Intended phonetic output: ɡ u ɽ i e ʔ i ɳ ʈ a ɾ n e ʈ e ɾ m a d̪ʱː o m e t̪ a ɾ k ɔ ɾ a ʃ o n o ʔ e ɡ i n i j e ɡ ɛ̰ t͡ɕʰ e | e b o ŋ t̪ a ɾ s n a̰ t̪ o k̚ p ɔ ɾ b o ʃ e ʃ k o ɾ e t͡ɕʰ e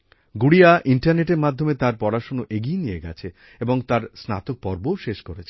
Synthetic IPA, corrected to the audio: ɡ u ɽ i a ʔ i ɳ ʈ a ɾ n e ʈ e ɾ m a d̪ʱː o m e t̪ a ɾ p ɔ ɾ a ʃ o n o ʔ e ɡ i n i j e ɡ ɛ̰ t͡ɕʰ e | e b o ŋ t̪ a ɾ s n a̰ t̪ o k̚ p ɔ ɾ b o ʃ e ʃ k o ɾ e t͡ɕʰ e